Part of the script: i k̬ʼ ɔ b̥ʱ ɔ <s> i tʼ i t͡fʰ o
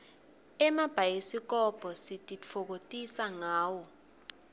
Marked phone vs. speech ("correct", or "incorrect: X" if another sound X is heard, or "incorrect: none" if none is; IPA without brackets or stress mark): correct